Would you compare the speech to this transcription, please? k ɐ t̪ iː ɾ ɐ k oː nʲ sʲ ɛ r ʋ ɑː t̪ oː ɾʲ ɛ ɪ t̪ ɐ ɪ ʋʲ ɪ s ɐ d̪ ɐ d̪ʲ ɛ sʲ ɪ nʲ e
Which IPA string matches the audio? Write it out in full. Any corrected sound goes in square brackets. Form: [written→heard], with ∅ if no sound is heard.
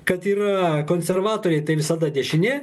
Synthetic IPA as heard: k ɐ t̪ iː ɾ ɐ k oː nʲ sʲ ɛ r ʋ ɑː t̪ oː ɾʲ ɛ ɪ t̪ ɐ ɪ ʋʲ ɪ s ɐ d̪ ɐ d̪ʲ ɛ [sʲ→ʃʲ] ɪ nʲ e